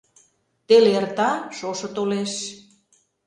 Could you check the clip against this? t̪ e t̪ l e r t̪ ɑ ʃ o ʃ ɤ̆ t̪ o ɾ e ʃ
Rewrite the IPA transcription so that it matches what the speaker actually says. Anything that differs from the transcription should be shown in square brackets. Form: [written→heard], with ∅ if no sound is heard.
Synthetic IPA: t̪ e [t̪→∅] l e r t̪ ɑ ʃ o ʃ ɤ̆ t̪ o [ɾ→l] e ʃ